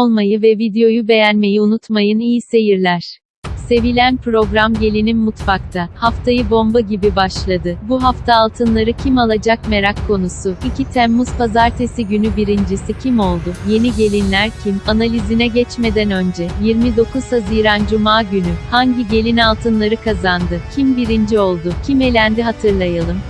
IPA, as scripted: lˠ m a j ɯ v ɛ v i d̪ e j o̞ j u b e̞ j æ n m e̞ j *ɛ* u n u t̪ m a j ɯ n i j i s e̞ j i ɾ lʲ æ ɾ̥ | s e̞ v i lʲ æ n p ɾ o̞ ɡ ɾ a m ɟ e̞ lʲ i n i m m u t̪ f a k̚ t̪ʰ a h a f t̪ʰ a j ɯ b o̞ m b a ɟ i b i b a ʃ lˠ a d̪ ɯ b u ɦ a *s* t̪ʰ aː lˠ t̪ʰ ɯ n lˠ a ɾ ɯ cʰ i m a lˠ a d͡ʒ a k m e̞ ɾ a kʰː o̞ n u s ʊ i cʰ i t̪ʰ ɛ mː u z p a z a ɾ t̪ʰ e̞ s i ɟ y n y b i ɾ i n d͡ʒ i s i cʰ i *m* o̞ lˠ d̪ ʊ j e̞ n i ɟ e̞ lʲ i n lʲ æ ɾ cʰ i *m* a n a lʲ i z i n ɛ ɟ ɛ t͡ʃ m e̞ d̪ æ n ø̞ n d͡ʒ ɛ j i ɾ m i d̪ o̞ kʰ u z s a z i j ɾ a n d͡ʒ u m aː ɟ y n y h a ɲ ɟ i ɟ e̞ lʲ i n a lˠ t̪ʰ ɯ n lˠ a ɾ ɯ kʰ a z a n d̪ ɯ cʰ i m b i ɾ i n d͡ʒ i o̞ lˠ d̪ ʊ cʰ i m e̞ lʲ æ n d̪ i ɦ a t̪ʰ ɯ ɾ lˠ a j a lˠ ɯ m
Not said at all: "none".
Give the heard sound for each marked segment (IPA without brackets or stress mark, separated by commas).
i, f, m, m